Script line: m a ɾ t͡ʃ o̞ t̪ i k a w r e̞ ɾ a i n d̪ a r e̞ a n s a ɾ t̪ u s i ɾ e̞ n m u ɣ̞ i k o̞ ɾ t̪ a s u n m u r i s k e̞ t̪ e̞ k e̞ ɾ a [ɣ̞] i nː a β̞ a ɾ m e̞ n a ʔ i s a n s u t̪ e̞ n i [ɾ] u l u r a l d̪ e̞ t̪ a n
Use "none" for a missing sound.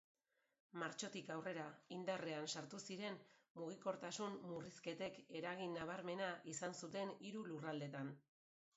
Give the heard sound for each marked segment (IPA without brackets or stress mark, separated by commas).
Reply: ɣ̞, ɾ